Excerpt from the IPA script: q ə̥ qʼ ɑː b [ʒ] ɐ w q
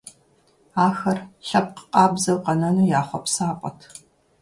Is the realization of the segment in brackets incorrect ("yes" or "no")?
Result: yes